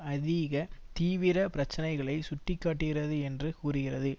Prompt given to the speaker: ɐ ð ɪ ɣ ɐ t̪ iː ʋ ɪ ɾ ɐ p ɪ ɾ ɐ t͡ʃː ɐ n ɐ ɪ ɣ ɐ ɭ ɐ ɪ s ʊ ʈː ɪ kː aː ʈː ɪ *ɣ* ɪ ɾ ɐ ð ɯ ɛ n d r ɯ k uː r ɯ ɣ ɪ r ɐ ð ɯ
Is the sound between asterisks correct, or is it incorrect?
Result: correct